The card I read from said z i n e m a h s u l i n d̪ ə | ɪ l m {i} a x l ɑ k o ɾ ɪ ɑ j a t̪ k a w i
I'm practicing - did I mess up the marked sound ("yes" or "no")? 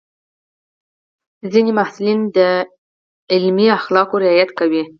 no